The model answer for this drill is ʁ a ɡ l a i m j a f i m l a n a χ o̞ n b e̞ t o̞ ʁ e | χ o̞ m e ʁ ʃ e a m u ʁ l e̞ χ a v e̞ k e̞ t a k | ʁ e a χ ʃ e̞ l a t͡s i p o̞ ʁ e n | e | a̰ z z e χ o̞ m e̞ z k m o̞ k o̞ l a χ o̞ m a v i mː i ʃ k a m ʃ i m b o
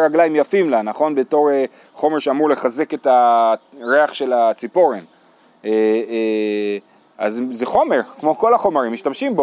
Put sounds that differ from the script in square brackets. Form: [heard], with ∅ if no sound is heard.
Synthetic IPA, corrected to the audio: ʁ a ɡ l a i m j a f i m l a n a χ o̞ n b e̞ t o̞ ʁ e | χ o̞ m e ʁ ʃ e a m u ʁ l e̞ χ a [z] e̞ k e̞ t a [∅] | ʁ e a χ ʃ e̞ l a t͡s i p o̞ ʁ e n | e | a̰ z z e χ o̞ m e̞ [ʁ] k m o̞ k o̞ l a χ o̞ m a [ʁ] i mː i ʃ [t] a m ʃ i m b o